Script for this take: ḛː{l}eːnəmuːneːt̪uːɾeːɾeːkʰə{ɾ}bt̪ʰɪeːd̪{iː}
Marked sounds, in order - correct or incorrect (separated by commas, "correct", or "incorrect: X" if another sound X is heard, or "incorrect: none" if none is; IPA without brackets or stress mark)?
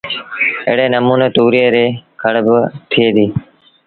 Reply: incorrect: ɽ, incorrect: ɽ, correct